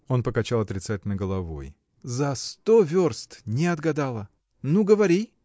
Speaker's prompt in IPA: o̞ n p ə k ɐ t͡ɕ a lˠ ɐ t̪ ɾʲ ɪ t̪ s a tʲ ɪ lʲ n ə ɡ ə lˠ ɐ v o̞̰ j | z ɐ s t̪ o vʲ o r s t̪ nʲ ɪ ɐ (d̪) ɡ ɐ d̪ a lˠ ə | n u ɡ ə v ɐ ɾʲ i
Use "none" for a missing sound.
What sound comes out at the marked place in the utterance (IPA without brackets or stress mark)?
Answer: d̪